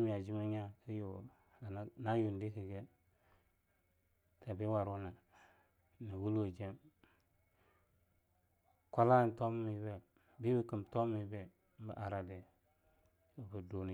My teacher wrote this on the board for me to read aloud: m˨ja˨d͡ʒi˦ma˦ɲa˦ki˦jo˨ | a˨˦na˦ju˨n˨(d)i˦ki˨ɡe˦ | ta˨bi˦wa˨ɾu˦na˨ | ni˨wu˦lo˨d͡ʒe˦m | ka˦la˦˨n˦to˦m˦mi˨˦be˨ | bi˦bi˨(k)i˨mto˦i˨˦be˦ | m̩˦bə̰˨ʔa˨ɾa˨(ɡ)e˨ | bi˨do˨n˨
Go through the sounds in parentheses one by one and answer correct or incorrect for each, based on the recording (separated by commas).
correct, correct, incorrect